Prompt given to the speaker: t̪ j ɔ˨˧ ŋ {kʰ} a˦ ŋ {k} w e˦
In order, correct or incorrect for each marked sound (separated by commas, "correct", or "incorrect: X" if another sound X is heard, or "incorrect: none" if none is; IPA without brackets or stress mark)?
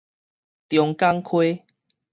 incorrect: k, incorrect: kʰ